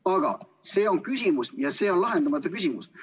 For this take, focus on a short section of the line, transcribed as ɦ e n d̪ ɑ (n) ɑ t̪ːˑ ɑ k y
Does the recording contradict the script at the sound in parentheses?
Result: yes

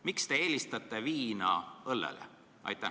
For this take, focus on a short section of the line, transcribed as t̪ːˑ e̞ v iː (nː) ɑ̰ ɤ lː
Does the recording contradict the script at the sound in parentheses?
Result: yes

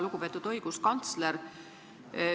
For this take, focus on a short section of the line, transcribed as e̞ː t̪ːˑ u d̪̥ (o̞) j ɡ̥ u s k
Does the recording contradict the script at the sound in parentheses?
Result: no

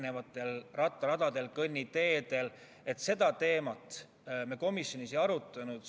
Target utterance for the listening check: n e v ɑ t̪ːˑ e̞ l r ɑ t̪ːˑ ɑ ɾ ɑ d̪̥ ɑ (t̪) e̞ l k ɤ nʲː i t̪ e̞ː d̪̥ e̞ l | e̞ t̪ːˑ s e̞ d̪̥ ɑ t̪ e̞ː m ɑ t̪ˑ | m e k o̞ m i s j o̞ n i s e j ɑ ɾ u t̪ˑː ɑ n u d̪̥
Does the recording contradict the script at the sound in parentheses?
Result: yes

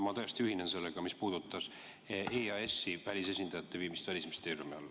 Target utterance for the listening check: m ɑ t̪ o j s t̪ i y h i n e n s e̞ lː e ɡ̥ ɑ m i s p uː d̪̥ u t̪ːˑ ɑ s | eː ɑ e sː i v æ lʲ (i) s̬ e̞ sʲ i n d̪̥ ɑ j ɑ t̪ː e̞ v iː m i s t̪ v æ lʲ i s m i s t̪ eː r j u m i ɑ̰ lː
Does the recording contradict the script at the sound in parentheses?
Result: no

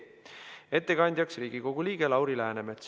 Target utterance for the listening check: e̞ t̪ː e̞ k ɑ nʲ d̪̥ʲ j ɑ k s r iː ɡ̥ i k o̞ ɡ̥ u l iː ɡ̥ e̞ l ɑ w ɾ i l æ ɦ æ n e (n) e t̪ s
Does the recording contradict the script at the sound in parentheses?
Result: yes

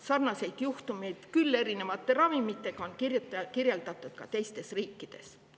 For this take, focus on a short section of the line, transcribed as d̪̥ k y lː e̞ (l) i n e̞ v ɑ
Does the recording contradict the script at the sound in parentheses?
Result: yes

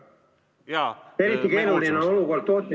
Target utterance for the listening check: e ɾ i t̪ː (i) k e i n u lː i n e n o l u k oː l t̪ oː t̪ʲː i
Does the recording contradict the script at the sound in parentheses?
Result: no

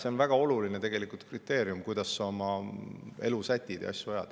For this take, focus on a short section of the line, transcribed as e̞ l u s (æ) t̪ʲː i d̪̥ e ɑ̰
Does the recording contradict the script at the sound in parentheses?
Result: no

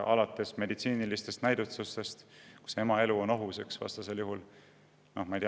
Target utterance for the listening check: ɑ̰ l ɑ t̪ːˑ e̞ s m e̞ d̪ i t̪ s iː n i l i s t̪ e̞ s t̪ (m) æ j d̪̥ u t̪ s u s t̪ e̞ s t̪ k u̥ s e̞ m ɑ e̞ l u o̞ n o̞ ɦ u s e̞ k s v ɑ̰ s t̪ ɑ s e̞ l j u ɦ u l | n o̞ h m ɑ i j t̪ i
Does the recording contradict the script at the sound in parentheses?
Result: yes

